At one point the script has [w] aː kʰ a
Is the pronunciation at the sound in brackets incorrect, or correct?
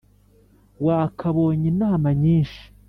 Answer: correct